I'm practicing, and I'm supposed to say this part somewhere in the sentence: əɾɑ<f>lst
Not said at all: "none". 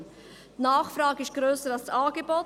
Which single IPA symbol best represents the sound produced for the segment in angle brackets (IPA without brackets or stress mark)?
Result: none